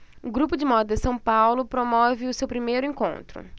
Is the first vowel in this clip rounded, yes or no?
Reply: yes